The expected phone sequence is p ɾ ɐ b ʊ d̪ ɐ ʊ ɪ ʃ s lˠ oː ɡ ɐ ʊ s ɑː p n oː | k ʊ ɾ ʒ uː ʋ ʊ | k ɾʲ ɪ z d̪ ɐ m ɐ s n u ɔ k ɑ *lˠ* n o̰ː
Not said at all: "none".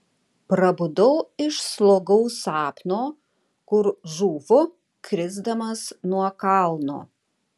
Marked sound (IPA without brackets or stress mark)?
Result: lˠ